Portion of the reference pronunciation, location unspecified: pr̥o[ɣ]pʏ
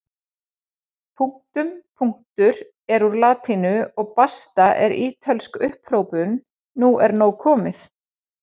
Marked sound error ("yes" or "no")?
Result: yes